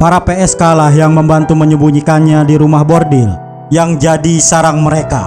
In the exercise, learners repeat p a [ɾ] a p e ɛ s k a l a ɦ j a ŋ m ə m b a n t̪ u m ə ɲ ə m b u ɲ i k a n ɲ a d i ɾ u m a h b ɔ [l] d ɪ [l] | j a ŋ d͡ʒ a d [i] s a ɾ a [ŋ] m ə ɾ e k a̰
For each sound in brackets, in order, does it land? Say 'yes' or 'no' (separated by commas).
yes, no, yes, yes, yes